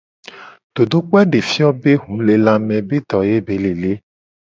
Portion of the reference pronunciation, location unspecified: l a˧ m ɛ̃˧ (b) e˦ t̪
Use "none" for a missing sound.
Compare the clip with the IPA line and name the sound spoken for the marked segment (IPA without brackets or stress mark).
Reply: b